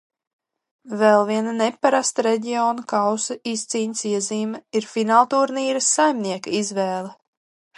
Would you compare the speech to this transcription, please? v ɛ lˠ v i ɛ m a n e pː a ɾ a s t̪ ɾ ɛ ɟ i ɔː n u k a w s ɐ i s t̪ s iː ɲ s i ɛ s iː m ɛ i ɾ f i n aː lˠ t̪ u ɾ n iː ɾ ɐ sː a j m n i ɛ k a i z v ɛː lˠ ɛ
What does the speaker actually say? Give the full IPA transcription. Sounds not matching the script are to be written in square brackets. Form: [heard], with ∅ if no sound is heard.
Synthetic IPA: v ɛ lˠ v i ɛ [n] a n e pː a ɾ a s t̪ ɾ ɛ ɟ i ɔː n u k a w s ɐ i s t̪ s iː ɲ s i ɛ [z] iː m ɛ i ɾ f i n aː lˠ t̪ u ɾ n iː ɾ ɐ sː a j m n i ɛ k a i z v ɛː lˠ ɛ